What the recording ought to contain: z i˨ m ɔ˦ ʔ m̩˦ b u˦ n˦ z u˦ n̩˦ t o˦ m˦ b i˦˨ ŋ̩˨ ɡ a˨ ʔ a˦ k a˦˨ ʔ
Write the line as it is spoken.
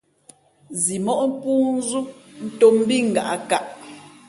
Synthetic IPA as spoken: z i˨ m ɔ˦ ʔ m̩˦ p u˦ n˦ z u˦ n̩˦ t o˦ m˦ b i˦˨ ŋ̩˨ ɡ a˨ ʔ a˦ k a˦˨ ʔ

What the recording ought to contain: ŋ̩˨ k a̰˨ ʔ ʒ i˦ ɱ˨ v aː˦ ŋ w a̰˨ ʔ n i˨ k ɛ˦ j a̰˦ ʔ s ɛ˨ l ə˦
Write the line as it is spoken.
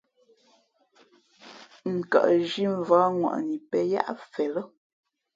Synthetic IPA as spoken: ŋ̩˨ k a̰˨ ʔ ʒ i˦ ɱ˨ v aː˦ ŋ w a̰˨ ʔ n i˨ p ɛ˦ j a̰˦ ʔ f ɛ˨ l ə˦

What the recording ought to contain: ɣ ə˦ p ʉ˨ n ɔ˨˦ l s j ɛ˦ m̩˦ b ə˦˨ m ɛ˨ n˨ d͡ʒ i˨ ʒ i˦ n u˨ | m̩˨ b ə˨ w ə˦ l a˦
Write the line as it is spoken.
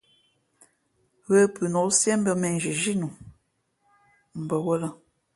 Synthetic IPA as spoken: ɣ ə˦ p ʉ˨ n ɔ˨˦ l s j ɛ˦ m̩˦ b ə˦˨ m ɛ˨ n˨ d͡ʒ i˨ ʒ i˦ n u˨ | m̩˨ b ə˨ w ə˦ l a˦

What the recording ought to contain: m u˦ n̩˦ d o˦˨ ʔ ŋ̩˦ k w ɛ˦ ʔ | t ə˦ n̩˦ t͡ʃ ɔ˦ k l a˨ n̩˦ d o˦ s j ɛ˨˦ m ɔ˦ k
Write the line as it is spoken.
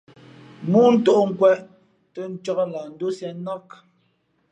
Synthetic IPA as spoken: m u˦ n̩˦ t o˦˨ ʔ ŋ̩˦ k w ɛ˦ ʔ | t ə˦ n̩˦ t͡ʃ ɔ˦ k l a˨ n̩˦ d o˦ s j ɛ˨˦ n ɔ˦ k

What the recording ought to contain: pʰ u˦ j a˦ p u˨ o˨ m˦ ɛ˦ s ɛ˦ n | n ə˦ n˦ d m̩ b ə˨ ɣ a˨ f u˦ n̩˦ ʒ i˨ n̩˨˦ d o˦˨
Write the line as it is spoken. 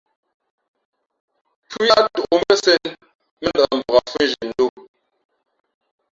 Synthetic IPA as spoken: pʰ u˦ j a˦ t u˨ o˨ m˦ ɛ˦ s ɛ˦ n | m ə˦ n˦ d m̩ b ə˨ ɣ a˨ f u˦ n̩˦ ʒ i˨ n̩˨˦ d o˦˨

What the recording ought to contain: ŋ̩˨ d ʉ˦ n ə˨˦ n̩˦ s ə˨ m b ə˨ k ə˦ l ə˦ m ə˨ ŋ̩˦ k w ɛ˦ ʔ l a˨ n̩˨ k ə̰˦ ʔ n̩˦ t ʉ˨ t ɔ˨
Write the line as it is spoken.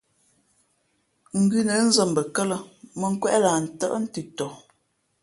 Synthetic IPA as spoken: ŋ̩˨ ɡ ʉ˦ n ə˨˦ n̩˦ z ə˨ m b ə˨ k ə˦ l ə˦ m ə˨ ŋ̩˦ k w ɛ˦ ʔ l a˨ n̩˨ t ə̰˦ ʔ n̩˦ t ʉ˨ t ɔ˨

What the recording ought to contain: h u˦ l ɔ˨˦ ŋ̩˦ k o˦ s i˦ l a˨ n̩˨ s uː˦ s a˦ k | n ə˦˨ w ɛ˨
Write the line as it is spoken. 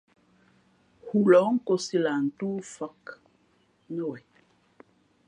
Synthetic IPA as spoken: h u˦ l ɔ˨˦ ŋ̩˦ k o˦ s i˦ l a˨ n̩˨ t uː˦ f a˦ k | n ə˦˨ w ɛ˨

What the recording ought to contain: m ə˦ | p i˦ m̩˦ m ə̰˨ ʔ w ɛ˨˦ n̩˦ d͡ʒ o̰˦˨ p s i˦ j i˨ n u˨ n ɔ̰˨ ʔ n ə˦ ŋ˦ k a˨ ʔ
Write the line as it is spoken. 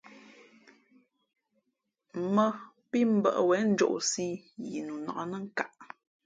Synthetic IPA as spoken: m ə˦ | p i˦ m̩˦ b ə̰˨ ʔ w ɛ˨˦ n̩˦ d͡ʒ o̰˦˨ ʔ s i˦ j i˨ n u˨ n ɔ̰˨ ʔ n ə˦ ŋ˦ k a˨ ʔ

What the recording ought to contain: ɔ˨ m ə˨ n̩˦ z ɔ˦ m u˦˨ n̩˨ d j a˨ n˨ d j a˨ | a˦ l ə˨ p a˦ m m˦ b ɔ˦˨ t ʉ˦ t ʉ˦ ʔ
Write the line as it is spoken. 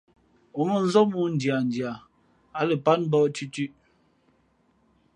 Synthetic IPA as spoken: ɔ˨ m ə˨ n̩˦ z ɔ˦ m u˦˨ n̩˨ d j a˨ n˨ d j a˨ | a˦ l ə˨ p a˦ n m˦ b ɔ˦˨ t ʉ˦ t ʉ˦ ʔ

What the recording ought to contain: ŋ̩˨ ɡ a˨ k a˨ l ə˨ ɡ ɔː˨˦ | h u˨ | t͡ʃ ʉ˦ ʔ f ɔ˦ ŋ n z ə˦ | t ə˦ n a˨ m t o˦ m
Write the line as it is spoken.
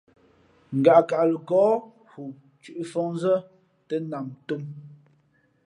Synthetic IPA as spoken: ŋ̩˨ ɡ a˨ k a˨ l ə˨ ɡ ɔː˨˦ | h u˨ | t͡ʃ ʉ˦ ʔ f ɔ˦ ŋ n z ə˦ | t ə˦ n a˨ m t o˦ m

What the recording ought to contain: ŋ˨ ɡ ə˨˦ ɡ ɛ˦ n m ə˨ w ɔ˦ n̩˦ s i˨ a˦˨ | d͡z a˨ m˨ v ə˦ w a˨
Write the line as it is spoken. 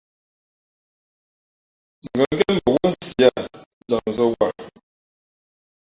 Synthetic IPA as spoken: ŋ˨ ɡ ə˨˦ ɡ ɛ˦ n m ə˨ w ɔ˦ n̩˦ s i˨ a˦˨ | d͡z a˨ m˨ z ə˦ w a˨

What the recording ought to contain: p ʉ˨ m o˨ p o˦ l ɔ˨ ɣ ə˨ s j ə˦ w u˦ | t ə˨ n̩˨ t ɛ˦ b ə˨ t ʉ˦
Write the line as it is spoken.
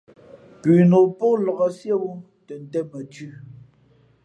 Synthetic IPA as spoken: p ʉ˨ n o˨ p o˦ l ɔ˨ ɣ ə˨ s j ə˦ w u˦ | t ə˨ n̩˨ t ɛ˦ m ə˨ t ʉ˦

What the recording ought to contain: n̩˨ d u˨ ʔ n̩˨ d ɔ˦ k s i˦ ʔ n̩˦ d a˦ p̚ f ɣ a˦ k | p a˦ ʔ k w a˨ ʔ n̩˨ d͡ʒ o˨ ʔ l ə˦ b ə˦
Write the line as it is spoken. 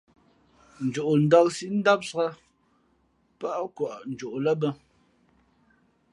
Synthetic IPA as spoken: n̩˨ d͡ʒ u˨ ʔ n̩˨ d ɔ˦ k s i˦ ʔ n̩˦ d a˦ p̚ s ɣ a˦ | p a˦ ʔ k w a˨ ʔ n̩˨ d͡ʒ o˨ ʔ l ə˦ b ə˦

